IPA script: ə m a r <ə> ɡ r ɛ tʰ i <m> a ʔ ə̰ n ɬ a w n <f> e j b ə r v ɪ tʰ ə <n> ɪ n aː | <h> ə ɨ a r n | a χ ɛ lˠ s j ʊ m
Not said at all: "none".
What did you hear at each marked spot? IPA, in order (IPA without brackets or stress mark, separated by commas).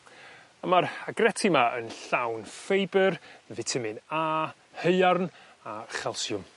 a, m, f, m, h